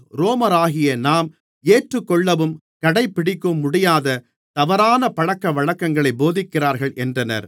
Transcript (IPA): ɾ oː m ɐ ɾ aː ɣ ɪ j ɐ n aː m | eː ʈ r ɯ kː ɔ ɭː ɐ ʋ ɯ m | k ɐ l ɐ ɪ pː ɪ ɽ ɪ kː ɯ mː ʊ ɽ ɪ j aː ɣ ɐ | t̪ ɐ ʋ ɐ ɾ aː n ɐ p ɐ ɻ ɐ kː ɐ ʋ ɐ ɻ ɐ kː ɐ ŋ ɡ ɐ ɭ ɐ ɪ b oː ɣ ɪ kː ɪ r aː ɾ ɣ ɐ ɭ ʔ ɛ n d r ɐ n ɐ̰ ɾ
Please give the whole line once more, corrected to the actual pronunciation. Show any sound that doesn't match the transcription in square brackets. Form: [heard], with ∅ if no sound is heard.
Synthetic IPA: ɾ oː m ɐ ɾ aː ɣ ɪ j ɐ n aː m | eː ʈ r ɯ kː ɔ ɭː ɐ ʋ ɯ m | k ɐ [ɽ] ɐ ɪ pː ɪ ɽ ɪ kː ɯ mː ʊ ɽ ɪ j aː [ð] ɐ | t̪ ɐ ʋ ɐ ɾ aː n ɐ p ɐ ɻ ɐ kː ɐ ʋ ɐ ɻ ɐ kː ɐ ŋ ɡ ɐ ɭ ɐ ɪ b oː [ð] ɪ kː ɪ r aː ɾ ɣ ɐ ɭ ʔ ɛ n d r ɐ n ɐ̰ ɾ